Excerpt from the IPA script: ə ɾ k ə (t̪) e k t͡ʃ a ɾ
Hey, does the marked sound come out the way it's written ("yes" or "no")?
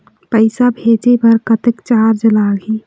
yes